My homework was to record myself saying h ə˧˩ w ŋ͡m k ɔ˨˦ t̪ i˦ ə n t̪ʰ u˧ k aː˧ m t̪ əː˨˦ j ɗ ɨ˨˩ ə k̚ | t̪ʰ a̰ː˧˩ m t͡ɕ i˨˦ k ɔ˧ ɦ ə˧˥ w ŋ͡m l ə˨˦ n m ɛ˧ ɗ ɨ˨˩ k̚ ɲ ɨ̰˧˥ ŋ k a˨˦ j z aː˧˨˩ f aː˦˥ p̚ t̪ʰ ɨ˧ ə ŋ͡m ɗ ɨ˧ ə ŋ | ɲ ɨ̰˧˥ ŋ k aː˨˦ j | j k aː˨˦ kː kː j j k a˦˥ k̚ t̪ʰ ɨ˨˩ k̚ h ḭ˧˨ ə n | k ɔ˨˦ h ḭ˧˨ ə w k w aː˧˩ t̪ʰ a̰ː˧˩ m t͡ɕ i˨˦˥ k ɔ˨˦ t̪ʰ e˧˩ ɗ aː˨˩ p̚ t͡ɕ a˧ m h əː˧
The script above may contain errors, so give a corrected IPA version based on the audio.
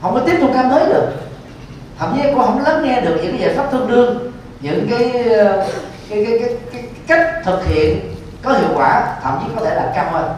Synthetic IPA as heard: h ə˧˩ w ŋ͡m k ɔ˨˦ t̪ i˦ ə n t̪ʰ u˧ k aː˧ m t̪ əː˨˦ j ɗ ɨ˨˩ ə k̚ | t̪ʰ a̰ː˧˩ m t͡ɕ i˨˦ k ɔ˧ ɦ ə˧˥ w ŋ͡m l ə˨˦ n ŋ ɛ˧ ɗ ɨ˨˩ k̚ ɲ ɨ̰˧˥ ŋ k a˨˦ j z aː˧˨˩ f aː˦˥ p̚ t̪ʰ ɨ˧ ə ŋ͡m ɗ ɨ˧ ə ŋ | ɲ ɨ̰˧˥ ŋ k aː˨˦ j | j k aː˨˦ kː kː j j k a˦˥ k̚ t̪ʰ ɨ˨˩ k̚ h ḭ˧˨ ə n | k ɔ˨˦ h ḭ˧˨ ə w k w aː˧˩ t̪ʰ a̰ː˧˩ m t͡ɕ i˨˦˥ k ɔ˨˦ t̪ʰ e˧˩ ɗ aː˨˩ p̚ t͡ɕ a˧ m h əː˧